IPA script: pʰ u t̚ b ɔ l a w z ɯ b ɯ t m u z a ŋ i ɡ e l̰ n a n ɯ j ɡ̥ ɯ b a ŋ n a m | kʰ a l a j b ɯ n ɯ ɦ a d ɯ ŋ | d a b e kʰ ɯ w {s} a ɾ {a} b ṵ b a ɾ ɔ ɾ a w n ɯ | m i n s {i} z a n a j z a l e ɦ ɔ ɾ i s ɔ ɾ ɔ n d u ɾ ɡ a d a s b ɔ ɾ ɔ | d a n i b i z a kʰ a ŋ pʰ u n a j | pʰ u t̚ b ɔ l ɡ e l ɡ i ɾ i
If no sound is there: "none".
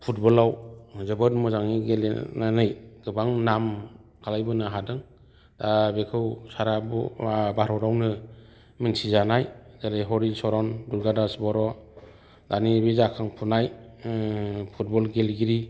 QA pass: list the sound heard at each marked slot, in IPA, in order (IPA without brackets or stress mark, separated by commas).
s, a, i